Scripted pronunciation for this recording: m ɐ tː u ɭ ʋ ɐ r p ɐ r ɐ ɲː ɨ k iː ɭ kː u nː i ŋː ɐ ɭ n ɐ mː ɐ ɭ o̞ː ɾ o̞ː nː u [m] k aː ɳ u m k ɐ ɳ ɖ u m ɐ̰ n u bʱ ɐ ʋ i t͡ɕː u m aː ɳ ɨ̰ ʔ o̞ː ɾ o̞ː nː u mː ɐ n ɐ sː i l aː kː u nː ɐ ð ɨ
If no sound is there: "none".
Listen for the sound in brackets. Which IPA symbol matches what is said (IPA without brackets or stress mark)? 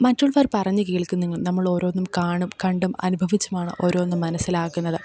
m